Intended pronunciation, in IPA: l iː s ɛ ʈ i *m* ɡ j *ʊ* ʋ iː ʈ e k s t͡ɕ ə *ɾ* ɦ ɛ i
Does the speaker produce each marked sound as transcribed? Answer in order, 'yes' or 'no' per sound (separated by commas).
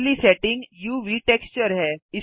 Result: no, no, yes